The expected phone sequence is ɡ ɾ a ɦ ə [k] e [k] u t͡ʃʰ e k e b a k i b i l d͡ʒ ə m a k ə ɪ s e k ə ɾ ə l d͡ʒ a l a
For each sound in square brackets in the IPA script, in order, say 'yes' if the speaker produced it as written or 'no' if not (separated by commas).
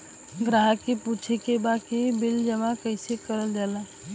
yes, no